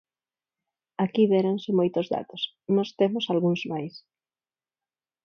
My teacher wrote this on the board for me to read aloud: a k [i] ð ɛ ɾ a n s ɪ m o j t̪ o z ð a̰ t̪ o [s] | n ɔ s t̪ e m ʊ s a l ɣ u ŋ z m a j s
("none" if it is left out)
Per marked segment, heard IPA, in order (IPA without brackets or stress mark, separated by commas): i, s